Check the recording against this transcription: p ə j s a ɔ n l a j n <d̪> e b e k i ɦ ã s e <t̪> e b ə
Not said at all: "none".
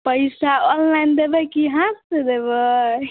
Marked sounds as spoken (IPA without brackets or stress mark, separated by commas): d̪, d̪